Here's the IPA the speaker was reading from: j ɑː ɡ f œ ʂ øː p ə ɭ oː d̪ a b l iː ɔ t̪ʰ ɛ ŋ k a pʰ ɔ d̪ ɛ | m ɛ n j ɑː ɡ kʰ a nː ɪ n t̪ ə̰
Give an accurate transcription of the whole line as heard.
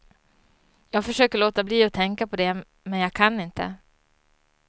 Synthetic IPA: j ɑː ɡ f œ ʂ øː k ə ɭ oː t̪ a b l iː ɔ t̪ʰ ɛ ŋ k a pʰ ɔ d̪ ɛ | m ɛ n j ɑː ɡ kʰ a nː ɪ n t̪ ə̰